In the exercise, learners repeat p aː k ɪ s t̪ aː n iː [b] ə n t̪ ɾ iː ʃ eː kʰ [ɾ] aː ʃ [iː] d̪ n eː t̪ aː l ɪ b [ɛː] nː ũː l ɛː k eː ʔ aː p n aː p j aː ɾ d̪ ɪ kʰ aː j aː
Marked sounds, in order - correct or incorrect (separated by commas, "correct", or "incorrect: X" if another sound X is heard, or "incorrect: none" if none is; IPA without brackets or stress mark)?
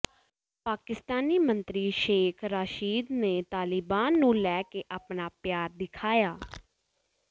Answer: incorrect: m, correct, correct, incorrect: aː